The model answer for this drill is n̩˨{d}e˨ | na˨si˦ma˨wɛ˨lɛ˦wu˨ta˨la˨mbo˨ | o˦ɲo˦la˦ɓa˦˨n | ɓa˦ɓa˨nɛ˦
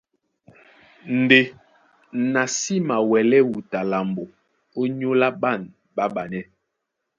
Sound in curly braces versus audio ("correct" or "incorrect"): correct